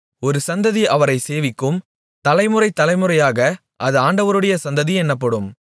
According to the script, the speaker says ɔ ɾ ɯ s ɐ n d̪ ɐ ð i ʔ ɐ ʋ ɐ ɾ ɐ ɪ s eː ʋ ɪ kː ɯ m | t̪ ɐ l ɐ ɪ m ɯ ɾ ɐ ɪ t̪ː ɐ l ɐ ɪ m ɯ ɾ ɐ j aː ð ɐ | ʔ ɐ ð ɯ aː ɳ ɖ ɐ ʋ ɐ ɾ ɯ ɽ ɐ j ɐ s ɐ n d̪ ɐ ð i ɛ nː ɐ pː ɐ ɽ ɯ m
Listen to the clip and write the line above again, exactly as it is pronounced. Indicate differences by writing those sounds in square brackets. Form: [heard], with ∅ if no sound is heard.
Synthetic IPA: ɔ ɾ ɯ s ɐ n d̪ ɐ ð i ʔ ɐ ʋ ɐ ɾ ɐ ɪ s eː ʋ ɪ kː ɯ m | t̪ ɐ l ɐ ɪ m ɯ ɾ ɐ ɪ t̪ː ɐ l ɐ ɪ m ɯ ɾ ɐ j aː [ɣ] ɐ | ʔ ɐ ð ɯ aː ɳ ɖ ɐ ʋ ɐ ɾ ɯ ɽ ɐ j ɐ s ɐ n d̪ ɐ ð i ɛ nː ɐ pː ɐ ɽ ɯ m